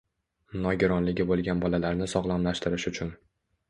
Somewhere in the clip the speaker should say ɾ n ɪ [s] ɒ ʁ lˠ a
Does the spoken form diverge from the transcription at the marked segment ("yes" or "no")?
no